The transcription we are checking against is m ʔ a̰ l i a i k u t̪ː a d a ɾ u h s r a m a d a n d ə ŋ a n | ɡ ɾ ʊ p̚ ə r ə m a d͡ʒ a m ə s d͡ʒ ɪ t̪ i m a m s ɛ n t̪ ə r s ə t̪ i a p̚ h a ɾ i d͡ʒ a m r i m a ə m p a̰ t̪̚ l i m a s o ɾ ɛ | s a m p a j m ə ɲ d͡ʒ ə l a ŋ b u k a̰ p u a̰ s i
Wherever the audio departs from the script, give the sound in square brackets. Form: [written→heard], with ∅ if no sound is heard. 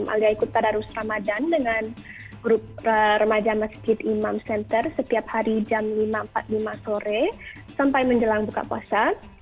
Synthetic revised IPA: m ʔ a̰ l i a i k u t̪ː a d a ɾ u [h→∅] s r a m a d a n d ə ŋ a n | ɡ ɾ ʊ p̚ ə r ə m a d͡ʒ a m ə s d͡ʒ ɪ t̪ i m a m s ɛ n t̪ ə r s ə t̪ i a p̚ h a ɾ i d͡ʒ a m [r→l] i m a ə m p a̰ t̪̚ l i m a s o ɾ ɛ | s a m p a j m ə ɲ d͡ʒ ə l a ŋ b u k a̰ p u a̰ s [i→a]